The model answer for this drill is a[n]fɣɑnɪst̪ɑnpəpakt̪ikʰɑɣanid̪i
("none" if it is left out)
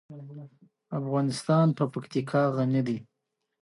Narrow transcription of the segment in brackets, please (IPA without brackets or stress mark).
none